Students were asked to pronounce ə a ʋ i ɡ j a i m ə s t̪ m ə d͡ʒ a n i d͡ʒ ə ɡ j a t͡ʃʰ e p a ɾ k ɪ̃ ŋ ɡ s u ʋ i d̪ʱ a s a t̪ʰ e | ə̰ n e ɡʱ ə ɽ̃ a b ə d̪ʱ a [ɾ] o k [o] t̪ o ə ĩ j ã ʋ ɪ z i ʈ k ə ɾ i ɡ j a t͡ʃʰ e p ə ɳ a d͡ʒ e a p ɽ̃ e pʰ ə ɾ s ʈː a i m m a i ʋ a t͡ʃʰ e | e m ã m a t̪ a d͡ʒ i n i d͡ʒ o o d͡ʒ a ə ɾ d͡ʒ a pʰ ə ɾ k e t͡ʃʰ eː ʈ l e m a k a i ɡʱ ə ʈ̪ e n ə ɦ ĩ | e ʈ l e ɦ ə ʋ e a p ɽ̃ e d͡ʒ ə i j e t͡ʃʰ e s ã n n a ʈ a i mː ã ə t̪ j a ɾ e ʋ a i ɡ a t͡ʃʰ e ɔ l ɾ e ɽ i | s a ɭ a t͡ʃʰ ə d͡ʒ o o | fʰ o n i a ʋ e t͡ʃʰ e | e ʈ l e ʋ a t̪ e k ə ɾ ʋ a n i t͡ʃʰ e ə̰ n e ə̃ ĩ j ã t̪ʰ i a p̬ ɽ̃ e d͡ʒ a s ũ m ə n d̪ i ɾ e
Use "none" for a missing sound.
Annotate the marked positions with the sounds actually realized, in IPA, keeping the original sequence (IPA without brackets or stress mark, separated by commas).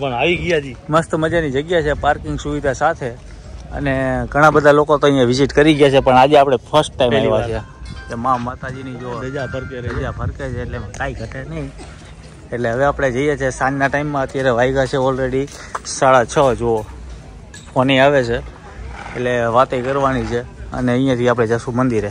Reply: l, o